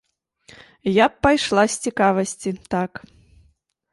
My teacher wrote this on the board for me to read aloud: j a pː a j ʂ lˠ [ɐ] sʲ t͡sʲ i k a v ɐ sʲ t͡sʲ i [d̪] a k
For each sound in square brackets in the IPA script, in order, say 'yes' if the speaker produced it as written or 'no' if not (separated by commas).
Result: no, no